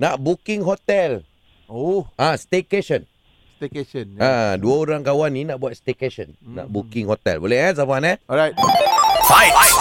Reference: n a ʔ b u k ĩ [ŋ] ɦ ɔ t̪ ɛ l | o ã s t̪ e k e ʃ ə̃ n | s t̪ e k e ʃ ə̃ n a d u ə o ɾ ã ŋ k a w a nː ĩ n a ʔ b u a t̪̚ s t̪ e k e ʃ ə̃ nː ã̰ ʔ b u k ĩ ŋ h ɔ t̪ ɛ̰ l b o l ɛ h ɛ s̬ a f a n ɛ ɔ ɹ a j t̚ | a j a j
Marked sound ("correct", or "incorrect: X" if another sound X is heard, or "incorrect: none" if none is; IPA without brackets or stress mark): correct